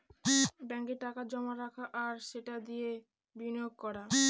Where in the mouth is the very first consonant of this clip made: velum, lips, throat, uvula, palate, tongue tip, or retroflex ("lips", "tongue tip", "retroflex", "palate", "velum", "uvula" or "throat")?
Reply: lips